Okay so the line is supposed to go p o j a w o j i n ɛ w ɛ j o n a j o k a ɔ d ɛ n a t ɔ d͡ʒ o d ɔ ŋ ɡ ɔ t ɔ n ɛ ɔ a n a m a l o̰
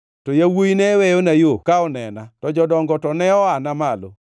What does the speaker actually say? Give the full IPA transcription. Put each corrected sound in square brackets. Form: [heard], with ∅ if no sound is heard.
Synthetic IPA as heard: [t] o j a w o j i n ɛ w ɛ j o n a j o k a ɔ [n] ɛ n a t ɔ d͡ʒ [ɔ] d ɔ ŋ ɡ ɔ t ɔ n ɛ ɔ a n a m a l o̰